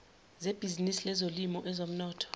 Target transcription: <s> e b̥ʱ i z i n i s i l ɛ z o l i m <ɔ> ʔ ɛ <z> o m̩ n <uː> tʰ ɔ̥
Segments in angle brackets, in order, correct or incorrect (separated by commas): incorrect, correct, correct, incorrect